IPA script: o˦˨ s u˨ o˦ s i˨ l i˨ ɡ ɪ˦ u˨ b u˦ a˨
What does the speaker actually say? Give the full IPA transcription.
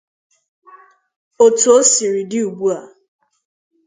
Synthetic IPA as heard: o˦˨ t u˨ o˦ s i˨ ɾ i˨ d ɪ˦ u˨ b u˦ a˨